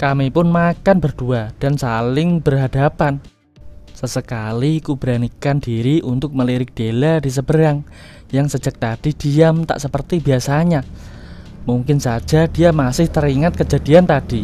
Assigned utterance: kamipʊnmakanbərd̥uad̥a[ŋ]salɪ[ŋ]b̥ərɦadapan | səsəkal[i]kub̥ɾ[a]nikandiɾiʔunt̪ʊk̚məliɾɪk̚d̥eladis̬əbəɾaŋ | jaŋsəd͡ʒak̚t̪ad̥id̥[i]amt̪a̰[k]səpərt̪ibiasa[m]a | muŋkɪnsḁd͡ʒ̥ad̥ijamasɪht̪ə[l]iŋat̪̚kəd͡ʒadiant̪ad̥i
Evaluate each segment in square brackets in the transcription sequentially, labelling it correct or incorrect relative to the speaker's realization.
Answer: incorrect: n, correct, correct, correct, correct, incorrect: ʔ, incorrect: ɲ, incorrect: ɾ

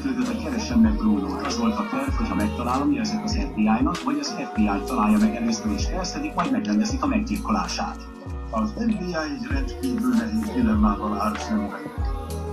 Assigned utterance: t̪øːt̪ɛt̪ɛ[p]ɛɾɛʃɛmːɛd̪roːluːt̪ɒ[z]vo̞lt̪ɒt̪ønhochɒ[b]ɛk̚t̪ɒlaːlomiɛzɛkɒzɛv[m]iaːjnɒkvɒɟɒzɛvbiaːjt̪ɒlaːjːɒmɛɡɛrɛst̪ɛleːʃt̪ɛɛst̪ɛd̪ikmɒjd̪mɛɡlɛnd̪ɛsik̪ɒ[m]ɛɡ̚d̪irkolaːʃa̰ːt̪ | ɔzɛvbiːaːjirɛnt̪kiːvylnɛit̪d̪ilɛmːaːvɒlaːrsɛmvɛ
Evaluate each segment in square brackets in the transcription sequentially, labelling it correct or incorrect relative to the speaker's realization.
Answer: incorrect: k, correct, incorrect: m, incorrect: b, correct

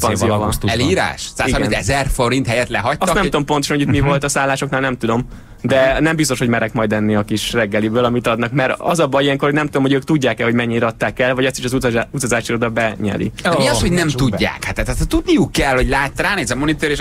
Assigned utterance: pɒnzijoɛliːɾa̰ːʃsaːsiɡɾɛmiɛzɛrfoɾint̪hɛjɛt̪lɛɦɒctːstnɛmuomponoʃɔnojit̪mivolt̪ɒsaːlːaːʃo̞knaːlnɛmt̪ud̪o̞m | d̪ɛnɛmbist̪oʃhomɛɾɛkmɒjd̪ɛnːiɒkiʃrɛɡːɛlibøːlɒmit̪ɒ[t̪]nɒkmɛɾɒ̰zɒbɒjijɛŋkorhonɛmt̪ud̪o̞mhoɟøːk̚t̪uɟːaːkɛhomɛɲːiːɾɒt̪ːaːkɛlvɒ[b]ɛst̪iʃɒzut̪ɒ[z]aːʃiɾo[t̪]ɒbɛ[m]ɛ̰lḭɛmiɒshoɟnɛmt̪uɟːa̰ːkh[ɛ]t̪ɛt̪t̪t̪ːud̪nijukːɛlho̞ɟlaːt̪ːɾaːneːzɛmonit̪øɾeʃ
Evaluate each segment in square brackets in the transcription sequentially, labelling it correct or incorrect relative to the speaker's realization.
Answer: incorrect: d̪, incorrect: ɟ, correct, incorrect: d̪, incorrect: ɲ, incorrect: a

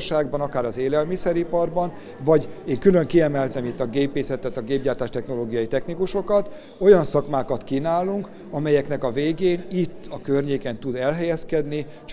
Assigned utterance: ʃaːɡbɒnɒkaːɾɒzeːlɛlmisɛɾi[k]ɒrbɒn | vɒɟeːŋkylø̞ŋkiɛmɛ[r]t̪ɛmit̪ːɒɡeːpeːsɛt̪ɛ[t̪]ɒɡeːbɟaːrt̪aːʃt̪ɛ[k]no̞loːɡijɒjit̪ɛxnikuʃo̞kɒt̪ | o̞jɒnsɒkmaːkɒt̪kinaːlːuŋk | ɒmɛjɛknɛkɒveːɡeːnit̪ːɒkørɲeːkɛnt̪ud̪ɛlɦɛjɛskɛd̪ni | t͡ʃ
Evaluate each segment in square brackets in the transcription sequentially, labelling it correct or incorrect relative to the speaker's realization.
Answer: incorrect: p, incorrect: l, correct, incorrect: x

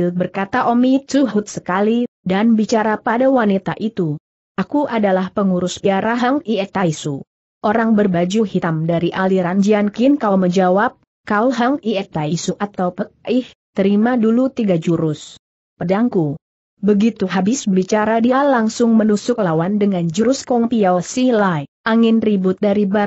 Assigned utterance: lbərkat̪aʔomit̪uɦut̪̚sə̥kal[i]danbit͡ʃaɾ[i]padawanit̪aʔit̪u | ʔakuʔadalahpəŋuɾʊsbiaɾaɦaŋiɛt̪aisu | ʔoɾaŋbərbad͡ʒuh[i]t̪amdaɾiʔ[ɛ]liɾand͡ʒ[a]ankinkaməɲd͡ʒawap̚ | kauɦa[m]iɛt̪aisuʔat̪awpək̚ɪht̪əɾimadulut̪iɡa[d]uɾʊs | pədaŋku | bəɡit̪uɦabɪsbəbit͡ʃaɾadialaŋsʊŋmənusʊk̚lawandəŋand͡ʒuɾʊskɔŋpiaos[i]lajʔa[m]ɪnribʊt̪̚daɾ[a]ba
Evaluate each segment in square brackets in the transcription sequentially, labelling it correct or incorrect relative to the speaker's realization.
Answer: correct, incorrect: a, correct, incorrect: a, incorrect: i, incorrect: ŋ, incorrect: d͡ʒ, correct, incorrect: ŋ, incorrect: i

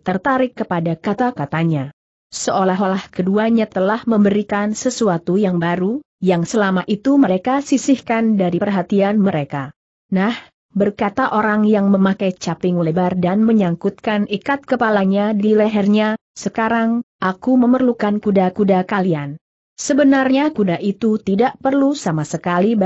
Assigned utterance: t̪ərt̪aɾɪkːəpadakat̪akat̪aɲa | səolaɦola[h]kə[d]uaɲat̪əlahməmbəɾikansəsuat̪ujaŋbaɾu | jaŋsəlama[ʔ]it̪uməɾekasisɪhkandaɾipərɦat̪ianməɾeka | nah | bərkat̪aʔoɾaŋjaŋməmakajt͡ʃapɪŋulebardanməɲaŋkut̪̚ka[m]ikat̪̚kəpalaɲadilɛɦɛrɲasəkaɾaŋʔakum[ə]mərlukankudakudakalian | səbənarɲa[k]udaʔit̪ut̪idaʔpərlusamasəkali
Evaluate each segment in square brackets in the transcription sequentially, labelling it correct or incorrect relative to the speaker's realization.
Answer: correct, correct, correct, incorrect: n, correct, correct

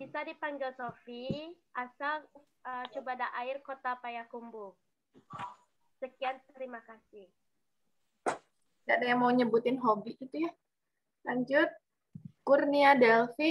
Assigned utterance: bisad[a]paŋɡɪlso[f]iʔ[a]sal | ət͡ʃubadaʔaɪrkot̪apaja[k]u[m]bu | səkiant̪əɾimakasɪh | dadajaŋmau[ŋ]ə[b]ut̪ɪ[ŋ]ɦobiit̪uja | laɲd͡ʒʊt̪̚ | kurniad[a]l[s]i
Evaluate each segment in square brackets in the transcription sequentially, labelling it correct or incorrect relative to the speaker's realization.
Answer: incorrect: i, correct, correct, correct, correct, incorrect: ɲ, correct, incorrect: n, incorrect: ɛ, incorrect: f

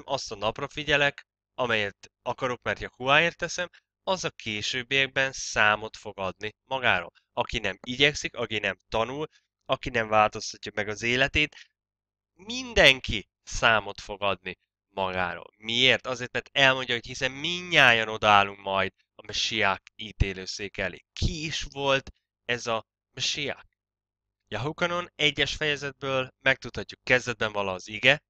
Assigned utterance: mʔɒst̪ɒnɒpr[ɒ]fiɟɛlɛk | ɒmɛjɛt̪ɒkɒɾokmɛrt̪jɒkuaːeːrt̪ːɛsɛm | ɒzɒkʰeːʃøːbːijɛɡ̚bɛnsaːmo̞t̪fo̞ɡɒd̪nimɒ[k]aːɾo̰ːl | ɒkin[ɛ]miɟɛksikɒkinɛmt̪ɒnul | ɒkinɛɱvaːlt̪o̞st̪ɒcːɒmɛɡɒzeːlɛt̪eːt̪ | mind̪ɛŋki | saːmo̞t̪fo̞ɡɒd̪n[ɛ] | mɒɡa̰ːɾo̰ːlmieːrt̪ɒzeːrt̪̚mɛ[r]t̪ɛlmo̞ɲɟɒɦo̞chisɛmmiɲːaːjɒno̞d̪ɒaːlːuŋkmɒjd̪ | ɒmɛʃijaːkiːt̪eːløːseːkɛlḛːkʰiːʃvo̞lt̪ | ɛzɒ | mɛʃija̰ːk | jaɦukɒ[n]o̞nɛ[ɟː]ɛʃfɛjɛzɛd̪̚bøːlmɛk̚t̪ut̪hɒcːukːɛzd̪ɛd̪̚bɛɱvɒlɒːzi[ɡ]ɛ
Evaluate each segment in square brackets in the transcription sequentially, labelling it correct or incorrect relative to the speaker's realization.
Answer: correct, incorrect: ɡ, correct, incorrect: i, correct, correct, correct, correct

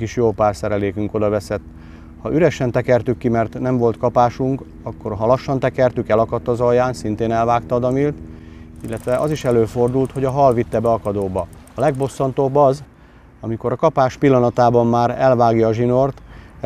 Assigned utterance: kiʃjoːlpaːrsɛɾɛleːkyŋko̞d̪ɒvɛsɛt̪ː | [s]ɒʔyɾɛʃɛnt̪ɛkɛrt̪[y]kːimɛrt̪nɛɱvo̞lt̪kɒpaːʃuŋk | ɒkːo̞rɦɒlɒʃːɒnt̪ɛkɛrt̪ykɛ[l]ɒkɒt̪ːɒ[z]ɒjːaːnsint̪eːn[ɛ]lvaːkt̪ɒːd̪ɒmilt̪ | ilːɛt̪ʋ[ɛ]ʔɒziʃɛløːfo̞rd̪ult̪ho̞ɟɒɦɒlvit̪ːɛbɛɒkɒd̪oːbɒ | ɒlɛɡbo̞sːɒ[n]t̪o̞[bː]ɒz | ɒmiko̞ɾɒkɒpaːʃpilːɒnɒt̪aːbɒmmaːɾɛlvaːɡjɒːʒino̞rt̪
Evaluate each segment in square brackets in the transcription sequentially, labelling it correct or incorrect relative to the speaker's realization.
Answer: incorrect: h, correct, correct, correct, correct, correct, correct, correct

